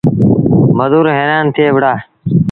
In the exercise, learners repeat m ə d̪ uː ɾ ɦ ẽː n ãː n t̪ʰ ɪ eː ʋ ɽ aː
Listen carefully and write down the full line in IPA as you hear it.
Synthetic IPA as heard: m ə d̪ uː ɾ ɦ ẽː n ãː n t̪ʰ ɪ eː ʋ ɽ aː